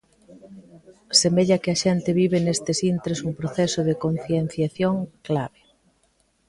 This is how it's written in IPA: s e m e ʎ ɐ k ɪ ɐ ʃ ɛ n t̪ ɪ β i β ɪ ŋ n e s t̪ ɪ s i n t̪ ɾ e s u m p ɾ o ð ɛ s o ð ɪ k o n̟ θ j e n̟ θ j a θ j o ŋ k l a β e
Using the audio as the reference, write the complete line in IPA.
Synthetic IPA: s e m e ʎ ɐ k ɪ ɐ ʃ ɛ n t̪ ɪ β i β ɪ n e s t̪ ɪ s i n t̪ ɾ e s u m p ɾ o θ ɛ s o ð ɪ k o n̟ θ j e n̟ θ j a θ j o ŋ k l a β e